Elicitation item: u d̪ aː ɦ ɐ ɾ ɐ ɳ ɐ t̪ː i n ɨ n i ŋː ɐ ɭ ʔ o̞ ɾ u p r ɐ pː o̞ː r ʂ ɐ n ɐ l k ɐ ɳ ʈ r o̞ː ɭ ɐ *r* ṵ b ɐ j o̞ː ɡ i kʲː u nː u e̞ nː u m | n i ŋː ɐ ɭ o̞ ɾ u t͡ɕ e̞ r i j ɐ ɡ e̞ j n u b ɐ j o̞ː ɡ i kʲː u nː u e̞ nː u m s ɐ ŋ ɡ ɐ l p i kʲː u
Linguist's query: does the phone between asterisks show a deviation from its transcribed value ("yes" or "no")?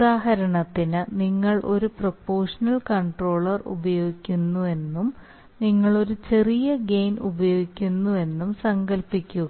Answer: no